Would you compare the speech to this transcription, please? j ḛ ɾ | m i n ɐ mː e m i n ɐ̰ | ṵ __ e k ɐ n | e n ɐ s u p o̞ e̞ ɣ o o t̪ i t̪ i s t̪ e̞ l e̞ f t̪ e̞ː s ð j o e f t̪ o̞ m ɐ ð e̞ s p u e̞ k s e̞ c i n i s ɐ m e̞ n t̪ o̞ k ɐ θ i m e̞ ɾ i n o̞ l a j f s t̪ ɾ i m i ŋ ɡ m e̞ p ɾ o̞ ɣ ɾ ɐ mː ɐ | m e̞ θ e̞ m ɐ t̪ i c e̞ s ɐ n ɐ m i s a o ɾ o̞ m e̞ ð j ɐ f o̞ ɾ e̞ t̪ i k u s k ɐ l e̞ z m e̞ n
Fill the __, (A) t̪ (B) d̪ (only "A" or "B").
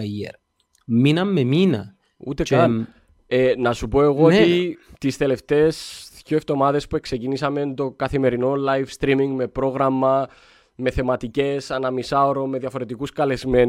A